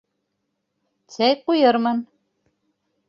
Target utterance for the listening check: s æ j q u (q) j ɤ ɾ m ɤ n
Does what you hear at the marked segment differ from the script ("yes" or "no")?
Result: yes